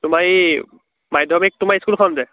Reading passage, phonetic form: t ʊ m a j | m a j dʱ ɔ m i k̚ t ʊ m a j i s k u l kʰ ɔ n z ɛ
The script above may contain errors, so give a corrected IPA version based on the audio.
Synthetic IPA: t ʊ m a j | m a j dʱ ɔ m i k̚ t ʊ m a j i s k u l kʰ ɔ n z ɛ